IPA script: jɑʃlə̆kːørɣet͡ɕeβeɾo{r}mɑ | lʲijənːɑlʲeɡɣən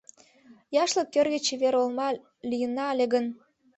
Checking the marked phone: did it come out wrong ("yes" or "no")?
yes